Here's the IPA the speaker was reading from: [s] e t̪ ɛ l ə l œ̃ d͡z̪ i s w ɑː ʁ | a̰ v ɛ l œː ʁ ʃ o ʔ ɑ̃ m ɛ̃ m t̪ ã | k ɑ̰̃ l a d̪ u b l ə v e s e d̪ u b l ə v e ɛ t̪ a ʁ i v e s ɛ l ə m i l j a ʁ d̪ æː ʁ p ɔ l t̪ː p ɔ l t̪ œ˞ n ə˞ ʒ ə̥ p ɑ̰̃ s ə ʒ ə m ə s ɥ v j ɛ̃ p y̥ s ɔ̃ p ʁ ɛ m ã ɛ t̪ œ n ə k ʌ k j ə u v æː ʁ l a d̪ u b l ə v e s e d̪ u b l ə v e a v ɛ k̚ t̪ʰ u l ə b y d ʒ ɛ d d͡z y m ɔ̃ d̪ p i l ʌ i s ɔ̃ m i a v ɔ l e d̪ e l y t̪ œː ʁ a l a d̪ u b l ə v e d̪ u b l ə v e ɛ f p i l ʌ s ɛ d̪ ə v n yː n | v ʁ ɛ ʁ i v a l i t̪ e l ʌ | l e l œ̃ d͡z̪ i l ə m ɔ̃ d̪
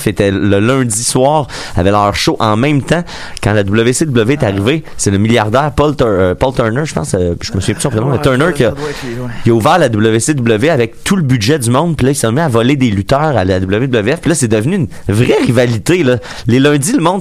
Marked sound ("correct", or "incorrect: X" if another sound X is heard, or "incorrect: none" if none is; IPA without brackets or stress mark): incorrect: f